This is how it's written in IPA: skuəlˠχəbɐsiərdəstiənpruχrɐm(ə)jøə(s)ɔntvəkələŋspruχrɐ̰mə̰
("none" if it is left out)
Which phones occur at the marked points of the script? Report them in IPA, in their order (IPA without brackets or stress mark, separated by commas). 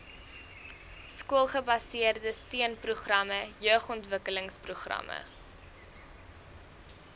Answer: ə, χ